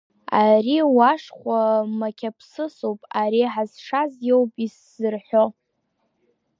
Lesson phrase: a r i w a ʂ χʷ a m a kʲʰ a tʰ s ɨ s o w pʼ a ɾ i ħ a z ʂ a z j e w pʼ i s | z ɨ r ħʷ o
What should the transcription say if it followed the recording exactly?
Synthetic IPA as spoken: a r i w a ʂ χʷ a m a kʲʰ a pʰ s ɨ s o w pʼ a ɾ i ħ a z ʂ a z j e w pʼ i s | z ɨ r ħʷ o